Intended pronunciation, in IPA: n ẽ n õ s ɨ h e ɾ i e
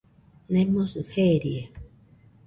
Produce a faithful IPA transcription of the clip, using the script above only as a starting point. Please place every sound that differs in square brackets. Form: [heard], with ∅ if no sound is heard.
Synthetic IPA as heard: n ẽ [m] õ s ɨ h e ɾ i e